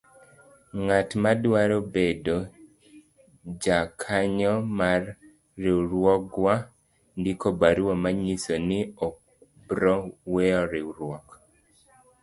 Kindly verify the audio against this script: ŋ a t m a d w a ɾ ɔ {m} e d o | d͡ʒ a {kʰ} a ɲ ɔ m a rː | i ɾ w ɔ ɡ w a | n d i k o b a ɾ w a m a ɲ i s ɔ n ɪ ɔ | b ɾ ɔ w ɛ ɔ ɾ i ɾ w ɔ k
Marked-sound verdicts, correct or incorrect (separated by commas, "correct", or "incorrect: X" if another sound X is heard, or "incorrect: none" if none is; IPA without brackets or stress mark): incorrect: b, correct